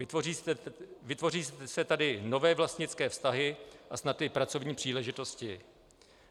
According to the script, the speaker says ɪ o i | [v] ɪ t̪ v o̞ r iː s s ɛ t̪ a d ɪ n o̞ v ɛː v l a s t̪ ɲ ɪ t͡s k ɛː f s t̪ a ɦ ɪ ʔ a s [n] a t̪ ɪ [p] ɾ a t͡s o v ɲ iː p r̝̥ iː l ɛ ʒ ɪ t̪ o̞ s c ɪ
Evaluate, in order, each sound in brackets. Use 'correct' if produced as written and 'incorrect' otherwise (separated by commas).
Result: correct, correct, correct